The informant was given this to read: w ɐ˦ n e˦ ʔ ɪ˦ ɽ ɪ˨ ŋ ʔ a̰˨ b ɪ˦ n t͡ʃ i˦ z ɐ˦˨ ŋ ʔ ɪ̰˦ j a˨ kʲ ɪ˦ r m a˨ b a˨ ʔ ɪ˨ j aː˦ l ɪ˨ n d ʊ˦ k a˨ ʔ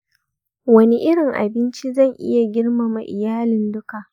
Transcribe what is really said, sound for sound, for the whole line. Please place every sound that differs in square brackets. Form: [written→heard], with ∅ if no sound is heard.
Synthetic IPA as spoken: w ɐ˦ n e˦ ʔ ɪ˦ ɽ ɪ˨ ŋ ʔ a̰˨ b ɪ˦ n t͡ʃ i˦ z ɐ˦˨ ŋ ʔ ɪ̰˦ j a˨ [kʲ→ɡʲ] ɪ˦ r m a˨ [b→m] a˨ ʔ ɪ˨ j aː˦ l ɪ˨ n d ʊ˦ k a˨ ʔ